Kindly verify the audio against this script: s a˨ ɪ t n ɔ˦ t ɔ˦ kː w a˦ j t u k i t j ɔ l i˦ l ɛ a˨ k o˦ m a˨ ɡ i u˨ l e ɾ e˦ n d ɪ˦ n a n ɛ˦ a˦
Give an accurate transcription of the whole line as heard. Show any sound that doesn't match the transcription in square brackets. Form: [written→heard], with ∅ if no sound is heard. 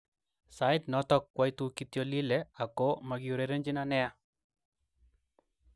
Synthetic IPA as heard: s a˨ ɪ t n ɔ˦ t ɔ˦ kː w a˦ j t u k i t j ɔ l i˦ l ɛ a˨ k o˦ m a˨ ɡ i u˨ [l→ɾ] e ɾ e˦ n [d→d͡ʒ] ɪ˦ n a n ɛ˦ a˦